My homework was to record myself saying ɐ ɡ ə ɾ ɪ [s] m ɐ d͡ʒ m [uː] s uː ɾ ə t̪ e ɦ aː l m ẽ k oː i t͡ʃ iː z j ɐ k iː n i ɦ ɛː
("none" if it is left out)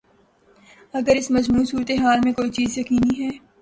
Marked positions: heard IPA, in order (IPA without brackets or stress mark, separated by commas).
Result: s, uː